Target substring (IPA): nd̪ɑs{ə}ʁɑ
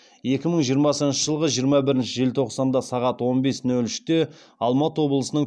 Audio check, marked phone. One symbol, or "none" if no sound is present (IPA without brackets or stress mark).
ɑ